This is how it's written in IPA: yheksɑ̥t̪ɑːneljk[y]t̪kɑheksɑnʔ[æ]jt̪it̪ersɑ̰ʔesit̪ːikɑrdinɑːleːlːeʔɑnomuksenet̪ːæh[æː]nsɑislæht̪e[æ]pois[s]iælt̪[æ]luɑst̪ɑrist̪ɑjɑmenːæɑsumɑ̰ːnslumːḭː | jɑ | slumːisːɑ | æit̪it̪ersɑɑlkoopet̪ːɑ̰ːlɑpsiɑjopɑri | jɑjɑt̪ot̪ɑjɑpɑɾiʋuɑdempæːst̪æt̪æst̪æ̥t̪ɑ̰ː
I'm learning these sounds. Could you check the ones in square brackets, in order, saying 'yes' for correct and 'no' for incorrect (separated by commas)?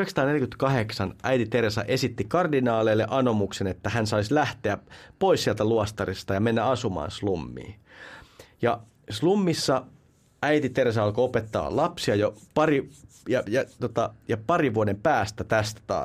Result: yes, yes, no, yes, yes, yes